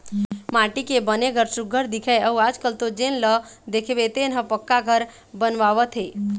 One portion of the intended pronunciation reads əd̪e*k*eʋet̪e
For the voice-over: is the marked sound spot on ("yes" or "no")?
no